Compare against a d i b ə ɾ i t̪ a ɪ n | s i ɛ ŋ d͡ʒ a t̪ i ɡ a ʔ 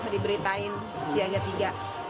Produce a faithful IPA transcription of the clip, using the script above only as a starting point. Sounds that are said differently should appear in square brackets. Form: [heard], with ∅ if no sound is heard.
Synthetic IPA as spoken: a d i b ə ɾ i t̪ a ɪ n | s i [a] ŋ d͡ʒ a t̪ i ɡ a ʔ

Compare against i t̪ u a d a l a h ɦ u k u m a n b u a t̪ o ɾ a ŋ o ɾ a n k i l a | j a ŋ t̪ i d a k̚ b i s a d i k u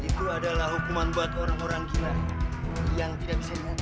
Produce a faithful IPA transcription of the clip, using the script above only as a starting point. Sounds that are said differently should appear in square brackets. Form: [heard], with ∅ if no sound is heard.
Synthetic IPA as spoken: i t̪ u a d a l a h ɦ u k u m a n b u a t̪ o ɾ a ŋ o ɾ a [ŋ] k i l a | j a ŋ t̪ i d a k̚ b i s a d i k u

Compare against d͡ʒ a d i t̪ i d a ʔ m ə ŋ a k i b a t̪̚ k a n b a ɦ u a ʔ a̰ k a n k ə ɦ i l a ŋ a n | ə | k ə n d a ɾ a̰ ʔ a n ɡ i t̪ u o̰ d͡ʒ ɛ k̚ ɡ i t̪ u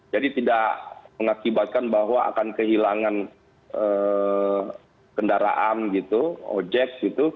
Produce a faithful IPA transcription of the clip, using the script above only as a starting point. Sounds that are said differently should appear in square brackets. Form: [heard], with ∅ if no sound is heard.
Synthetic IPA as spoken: d͡ʒ a d i t̪ i d a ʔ m ə ŋ a k i b a t̪̚ k a n b a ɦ [w] a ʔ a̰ k a n k ə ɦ i l a ŋ a n | ə | k ə n d a ɾ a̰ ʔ a n ɡ i t̪ u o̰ d͡ʒ ɛ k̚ ɡ i t̪ u

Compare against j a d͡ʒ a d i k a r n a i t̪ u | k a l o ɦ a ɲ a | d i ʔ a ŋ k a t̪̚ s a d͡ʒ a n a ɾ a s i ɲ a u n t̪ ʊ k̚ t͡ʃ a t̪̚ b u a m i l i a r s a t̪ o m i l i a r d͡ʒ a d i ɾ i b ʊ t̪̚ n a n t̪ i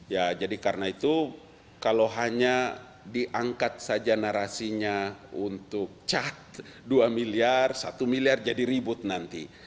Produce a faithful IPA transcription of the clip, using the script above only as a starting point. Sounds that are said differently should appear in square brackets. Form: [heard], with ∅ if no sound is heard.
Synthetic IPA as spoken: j a d͡ʒ a d i k a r n a i t̪ u | k a l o ɦ a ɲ a | d i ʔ a ŋ k a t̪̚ s a d͡ʒ a n a ɾ a s i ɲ a u n t̪ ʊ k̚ t͡ʃ a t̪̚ [d] u a m i l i a r s a t̪ [u] m i l i a r d͡ʒ a d i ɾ i b ʊ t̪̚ n a n t̪ i

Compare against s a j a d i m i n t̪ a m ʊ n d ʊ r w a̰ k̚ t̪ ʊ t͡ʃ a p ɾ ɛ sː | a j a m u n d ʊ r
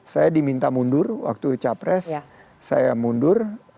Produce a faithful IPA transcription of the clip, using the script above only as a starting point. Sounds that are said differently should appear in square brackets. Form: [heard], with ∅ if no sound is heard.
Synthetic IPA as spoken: s a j a d i m i n t̪ a m [u] n d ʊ r w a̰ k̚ t̪ [u] t͡ʃ a p ɾ ɛ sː | a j a m u n d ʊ r

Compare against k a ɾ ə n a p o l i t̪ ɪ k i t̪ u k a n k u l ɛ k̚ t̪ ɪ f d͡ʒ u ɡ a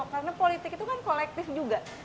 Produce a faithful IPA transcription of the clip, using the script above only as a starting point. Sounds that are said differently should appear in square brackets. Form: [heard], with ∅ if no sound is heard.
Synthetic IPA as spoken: k a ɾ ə n a p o l i t̪ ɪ k i t̪ u k a n k [o] l ɛ k̚ t̪ ɪ f d͡ʒ u ɡ a

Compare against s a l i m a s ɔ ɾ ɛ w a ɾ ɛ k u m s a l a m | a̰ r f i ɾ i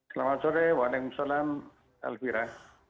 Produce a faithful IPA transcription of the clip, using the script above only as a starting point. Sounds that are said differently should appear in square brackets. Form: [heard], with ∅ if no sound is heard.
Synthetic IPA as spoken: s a l [a] m a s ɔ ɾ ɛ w a [l] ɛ k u m s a l a m | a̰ [l] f i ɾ [a]

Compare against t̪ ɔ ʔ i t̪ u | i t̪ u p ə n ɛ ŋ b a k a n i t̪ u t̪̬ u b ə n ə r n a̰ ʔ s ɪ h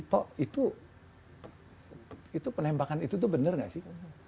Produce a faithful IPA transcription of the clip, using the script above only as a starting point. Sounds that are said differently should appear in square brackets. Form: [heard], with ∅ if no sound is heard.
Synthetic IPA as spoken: t̪ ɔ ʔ i t̪ u | i t̪ u p ə n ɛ [m] b a k a n i t̪ u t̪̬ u b ə n ə r [ŋ] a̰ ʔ s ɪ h

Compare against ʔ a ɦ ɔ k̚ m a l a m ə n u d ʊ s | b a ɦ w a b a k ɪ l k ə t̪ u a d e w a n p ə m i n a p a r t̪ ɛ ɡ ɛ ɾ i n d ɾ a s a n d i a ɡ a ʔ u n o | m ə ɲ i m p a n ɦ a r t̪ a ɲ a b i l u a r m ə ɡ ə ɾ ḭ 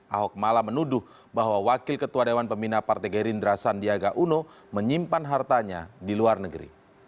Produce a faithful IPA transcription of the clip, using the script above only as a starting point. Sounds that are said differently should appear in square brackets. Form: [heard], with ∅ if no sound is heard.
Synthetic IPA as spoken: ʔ a ɦ ɔ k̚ m a l a m ə n u d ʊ [h] | b a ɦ w a [w] a k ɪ l k ə t̪ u a d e w a n p ə m i n a p a r t̪ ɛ ɡ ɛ ɾ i n d ɾ a s a n d i a ɡ a ʔ u n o | m ə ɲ i m p a n ɦ a r t̪ a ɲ a [d] i l u a r [n] ə ɡ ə ɾ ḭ

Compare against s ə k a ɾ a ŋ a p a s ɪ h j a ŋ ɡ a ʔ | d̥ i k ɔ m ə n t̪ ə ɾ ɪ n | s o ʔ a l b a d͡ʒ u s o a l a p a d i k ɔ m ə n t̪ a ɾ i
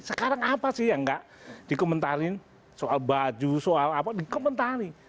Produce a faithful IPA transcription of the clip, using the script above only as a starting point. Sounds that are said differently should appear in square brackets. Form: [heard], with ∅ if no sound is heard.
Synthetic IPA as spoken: s ə k a ɾ a ŋ a p a s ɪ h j a ŋ ɡ a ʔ | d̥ i k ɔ m ə n t̪ [a] ɾ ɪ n | s o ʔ a l b a d͡ʒ u s o a l a p a d i k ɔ m ə n t̪ a ɾ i

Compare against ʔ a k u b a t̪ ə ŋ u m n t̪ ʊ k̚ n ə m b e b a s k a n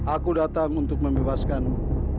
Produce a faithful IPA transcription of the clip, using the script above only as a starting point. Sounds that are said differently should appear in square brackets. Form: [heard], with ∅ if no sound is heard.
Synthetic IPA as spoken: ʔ a k u [d] a t̪ [a] ŋ u [∅] n t̪ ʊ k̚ [m] ə m b e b a s k a n

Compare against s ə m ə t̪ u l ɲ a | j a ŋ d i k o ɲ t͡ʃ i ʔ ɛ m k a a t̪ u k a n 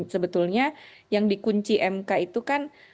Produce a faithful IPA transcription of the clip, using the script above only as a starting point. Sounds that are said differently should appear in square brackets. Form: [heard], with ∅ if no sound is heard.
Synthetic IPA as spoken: s ə [b] ə t̪ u l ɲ a | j a ŋ d i k [u] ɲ t͡ʃ i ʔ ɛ m k a [i] t̪ u k a n

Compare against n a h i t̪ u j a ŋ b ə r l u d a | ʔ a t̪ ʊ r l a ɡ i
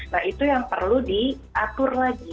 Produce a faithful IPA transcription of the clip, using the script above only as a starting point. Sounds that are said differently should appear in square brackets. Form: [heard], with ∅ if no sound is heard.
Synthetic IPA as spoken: n a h i t̪ u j a ŋ [p] ə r l u d [i] | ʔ a t̪ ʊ r l a ɡ i

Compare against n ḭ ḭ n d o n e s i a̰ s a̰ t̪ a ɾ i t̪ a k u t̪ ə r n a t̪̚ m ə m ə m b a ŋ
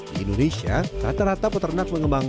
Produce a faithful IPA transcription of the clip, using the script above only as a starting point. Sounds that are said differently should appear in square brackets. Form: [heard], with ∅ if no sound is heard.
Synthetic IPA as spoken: [d] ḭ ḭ n d o n e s i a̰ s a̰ t̪ a ɾ [a] t̪ a [p] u t̪ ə r n a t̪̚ m ə [ŋ] ə m b a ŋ

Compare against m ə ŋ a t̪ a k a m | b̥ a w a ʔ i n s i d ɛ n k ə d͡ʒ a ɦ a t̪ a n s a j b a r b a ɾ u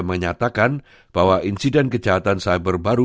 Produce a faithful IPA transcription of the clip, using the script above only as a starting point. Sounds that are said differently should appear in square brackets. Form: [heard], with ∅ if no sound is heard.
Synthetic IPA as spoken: m ə [ɲ] a t̪ a k a [n] | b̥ a w a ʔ i n s i d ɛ n k ə d͡ʒ a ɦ a t̪ a n s a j b [ə] r b a ɾ u

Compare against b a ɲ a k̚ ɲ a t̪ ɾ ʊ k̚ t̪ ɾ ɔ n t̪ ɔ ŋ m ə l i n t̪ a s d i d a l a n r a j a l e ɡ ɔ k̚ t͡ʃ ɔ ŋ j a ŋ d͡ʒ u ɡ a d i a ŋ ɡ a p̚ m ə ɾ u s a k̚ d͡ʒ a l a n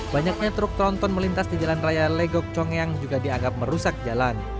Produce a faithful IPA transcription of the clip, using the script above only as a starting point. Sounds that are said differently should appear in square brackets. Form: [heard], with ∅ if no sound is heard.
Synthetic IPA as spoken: b a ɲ a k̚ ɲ a t̪ ɾ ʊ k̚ t̪ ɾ ɔ n t̪ ɔ [n] m ə l i n t̪ a s d i [d͡ʒ] a l a n r a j a l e ɡ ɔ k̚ t͡ʃ ɔ ŋ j a ŋ d͡ʒ u ɡ a d i a ŋ ɡ a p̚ m ə ɾ u s a k̚ d͡ʒ a l a n

